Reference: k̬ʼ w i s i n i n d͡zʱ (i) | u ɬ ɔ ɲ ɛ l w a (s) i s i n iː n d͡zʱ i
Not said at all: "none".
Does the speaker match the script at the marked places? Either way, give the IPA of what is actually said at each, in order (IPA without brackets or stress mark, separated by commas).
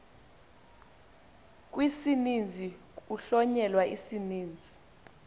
i, none